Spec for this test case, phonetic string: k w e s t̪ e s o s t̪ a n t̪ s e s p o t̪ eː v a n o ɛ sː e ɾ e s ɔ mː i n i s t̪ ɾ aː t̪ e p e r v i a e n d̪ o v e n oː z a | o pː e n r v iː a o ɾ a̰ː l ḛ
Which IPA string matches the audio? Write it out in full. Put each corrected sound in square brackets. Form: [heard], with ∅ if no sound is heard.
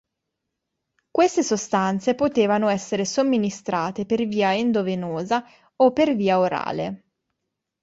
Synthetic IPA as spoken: k w e s t̪ e s o s t̪ a n t̪ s e [∅] p o t̪ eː v a n o ɛ sː e ɾ e s [o] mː i n i s t̪ ɾ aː t̪ e p e r v [iː] a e n d̪ o v e n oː z a | o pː e [∅] r v iː a o ɾ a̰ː l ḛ